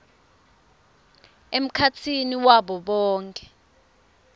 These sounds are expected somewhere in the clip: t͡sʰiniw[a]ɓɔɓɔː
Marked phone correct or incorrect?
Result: correct